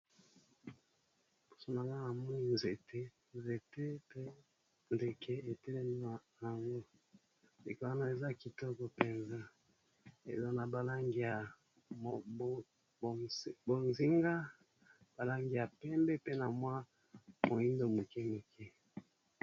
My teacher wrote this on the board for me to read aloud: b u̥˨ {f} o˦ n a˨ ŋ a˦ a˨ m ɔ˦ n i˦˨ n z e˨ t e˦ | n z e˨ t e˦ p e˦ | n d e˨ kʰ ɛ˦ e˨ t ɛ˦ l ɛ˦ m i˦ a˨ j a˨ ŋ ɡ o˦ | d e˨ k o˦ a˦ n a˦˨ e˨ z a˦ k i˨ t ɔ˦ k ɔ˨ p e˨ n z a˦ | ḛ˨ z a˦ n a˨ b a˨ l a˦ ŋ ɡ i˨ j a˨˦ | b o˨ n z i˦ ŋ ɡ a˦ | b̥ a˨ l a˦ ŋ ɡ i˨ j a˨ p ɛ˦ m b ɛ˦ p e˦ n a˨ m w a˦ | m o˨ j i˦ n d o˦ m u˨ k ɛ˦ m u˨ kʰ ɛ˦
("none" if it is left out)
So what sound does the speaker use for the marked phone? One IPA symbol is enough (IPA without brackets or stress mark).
s